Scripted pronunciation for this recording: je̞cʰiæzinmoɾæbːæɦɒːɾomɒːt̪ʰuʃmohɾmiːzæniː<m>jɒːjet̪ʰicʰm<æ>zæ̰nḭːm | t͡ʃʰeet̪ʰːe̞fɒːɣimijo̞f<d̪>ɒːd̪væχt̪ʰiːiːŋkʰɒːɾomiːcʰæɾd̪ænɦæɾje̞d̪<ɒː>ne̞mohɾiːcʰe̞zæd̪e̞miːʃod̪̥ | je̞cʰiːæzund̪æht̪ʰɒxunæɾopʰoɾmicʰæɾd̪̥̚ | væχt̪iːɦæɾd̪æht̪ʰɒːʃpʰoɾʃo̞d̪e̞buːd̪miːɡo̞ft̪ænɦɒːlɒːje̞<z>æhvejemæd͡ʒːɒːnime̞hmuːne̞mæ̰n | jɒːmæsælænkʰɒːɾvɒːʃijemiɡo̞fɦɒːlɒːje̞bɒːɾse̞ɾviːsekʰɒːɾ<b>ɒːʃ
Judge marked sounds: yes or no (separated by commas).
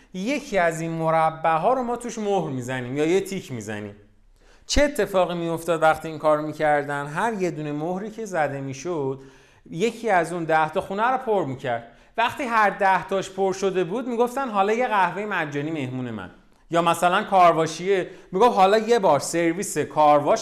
yes, no, no, no, no, no